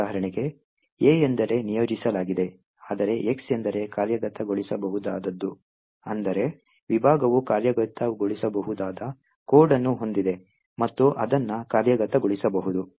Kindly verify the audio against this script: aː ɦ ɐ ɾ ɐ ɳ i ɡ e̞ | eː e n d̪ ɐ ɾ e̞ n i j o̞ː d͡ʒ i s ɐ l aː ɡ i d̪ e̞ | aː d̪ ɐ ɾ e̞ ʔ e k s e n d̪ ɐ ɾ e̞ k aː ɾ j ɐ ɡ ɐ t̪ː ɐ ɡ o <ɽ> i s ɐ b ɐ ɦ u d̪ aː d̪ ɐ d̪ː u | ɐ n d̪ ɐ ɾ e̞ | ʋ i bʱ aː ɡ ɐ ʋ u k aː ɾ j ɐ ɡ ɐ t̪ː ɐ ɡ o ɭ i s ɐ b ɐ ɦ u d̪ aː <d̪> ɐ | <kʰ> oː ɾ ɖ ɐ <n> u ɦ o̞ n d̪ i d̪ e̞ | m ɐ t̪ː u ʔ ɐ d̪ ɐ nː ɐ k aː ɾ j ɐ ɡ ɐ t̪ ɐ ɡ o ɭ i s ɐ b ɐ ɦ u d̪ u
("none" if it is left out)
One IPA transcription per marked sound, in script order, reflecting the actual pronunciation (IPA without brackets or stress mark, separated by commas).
ɭ, d̪, k, nː